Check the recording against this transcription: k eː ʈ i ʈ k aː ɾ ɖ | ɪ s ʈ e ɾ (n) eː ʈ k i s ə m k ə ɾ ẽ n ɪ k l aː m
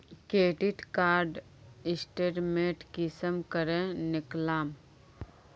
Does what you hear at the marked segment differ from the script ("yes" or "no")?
yes